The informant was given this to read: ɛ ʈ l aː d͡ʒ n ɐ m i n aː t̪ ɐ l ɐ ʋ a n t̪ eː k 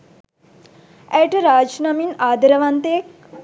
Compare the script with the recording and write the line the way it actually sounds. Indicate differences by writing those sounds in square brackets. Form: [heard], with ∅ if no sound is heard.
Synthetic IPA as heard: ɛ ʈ [ɾ] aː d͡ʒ n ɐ m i n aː [d̪] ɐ [ɾ] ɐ ʋ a n t̪ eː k